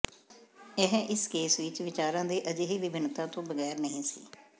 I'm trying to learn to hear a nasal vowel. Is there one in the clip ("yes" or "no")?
yes